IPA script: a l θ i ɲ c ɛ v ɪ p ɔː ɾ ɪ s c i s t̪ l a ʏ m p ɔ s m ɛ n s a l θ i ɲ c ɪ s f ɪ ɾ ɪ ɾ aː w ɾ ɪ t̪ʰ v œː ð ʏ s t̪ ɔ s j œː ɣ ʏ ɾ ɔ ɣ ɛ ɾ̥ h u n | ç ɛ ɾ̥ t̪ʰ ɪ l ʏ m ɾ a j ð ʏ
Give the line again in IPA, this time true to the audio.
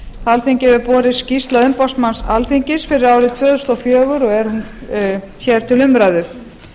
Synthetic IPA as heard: a l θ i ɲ c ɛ v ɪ p ɔː ɾ ɪ s c i s t̪ l a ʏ m p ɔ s m a n s a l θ i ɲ c ɪ s f ɪ ɾ ɪ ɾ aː w ɾ ɪ t̪ʰ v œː ð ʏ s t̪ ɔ f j œː ɣ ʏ ɾ ɔ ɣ ɛ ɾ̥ h u n | ç ɛ ɾ̥ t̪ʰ ɪ l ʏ m ɾ a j ð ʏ